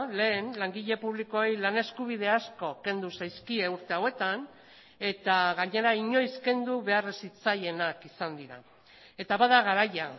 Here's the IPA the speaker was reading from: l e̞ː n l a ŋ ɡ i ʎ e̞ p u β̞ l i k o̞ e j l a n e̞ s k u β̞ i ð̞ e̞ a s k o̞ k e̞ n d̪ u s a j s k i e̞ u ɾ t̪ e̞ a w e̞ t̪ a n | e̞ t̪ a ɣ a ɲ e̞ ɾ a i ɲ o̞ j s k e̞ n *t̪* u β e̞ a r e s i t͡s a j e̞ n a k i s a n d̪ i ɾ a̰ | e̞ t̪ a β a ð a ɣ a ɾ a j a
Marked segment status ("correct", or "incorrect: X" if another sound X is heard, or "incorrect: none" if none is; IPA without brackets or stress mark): incorrect: d̪